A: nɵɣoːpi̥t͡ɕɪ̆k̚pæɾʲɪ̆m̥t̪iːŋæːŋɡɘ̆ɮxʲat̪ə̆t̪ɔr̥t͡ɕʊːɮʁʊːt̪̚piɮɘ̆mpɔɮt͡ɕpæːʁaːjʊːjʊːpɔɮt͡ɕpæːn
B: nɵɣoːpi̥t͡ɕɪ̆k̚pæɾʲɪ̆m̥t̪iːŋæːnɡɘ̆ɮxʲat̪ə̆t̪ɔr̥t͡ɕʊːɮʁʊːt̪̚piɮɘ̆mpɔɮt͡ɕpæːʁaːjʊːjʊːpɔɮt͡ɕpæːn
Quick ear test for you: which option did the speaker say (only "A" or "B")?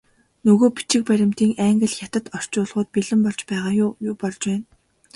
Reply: A